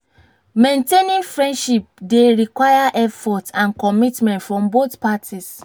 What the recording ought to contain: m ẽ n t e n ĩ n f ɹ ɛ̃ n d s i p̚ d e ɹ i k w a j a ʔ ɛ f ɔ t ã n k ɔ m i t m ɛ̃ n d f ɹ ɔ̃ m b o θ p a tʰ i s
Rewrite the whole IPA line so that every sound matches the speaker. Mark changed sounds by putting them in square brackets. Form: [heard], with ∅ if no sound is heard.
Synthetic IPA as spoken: m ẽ n t e n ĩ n f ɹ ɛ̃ n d [ʃ] i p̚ d e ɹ i k w a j a ʔ ɛ f ɔ t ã n k ɔ m i t m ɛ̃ n [t] f ɹ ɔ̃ m b o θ p a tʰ i s